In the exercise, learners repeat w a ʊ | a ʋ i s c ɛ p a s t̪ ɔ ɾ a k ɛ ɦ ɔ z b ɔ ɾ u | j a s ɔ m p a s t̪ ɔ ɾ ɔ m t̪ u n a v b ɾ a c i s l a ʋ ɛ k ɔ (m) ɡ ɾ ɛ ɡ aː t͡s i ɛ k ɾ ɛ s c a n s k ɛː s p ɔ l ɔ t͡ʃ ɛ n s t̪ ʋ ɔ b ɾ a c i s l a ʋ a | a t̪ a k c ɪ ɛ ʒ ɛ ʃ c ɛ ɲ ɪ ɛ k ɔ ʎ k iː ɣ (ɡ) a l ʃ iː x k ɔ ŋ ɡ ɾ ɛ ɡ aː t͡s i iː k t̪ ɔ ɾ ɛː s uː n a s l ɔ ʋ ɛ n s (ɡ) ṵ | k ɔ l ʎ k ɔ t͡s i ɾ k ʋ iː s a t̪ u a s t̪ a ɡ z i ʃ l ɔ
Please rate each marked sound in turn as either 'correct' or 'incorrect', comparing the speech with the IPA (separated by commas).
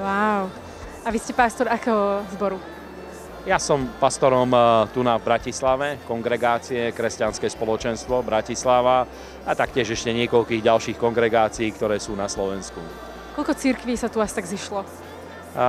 incorrect, incorrect, incorrect